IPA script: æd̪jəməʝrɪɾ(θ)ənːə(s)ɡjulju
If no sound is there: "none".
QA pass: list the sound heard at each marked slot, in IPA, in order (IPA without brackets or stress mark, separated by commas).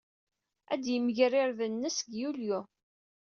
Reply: ð, s